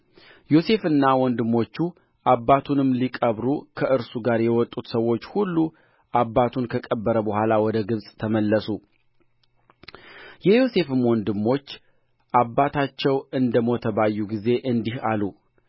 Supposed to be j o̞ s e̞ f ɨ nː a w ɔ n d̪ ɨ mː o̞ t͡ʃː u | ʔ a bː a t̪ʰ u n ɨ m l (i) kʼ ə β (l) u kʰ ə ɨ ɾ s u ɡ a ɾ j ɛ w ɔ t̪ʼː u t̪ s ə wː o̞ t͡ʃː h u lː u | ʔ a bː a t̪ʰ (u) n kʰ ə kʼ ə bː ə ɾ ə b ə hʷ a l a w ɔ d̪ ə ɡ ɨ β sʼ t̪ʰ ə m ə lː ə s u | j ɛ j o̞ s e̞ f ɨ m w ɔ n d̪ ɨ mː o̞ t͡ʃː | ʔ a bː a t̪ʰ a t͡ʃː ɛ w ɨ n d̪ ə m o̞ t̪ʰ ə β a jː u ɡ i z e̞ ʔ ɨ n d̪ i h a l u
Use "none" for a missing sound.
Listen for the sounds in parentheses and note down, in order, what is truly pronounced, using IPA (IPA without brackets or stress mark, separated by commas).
i, ɾ, u